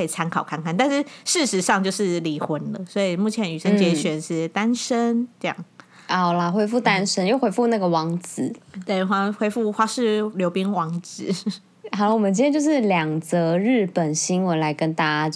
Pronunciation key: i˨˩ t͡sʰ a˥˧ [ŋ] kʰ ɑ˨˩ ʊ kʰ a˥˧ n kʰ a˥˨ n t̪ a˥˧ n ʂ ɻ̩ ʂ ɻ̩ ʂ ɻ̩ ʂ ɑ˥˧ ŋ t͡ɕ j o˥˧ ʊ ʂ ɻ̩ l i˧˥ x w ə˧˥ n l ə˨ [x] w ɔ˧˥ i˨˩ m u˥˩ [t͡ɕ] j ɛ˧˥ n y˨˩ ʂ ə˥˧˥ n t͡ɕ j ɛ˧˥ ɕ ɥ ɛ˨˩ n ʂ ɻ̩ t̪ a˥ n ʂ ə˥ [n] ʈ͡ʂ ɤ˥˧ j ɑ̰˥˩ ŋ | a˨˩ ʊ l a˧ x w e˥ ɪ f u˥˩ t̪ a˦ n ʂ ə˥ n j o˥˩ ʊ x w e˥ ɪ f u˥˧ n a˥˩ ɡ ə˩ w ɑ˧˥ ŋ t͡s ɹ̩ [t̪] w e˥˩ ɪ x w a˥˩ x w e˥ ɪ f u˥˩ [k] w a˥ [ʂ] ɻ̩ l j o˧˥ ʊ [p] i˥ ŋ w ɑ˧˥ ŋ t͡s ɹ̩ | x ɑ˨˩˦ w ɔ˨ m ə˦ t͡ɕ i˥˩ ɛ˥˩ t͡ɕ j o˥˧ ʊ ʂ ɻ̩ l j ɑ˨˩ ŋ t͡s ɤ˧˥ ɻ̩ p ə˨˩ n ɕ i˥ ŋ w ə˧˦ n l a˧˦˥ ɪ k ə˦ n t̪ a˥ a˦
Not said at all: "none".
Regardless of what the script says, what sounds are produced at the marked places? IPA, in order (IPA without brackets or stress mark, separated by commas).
n, s, t͡ɕʰ, n, t̪, x, ʂ, p